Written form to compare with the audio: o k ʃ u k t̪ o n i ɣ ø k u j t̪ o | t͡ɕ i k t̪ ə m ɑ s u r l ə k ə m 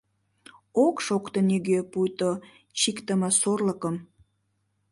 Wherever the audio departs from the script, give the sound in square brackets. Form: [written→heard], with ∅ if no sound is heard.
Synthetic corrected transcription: o k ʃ [u→o] k t̪ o n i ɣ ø [k→p] u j t̪ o | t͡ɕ i k t̪ ə m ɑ s [u→o] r l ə k ə m